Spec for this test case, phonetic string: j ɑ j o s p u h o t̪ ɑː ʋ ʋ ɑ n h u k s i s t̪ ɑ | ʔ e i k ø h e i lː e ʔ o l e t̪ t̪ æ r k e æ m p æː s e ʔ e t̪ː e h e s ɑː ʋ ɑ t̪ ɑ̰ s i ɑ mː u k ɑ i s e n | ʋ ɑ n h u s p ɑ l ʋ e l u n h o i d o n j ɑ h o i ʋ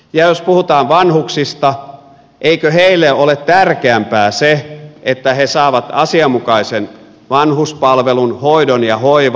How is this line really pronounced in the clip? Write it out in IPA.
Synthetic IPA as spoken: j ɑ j o s p u h u t̪ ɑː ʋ ʋ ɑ n h u k s i s t̪ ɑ | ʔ e i k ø h e i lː e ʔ o l e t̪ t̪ æ r k e æ m p æː s e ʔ e t̪ː æ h e s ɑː ʋ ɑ t̪ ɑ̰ s i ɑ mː u k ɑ i s e n | ʋ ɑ n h u s p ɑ l ʋ e l u n h o i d o n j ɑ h o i ʋ